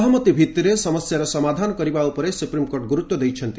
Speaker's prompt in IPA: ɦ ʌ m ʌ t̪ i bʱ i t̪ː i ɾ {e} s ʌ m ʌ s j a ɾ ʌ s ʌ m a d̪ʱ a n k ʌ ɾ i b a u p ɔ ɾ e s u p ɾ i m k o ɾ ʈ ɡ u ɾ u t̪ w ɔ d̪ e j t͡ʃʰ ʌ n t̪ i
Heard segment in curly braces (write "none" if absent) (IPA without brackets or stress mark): e